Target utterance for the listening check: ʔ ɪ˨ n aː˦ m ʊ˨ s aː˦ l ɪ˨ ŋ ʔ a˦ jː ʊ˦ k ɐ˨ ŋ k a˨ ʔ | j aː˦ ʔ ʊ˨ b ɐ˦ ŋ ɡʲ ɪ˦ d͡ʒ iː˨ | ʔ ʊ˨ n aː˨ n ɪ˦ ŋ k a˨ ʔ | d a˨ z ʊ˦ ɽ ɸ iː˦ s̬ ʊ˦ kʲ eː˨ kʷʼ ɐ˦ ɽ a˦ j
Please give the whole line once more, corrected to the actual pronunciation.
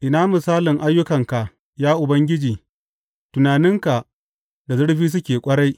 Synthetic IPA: ʔ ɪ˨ n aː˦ m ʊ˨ s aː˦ l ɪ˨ ŋ ʔ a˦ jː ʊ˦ k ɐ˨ ŋ k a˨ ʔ | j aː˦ ʔ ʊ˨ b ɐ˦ ŋ ɡʲ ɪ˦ d͡ʒ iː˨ | t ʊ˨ n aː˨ n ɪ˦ ŋ k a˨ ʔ | d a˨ z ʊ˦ ɽ ɸ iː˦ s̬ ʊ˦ kʲ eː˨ kʷʼ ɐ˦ ɽ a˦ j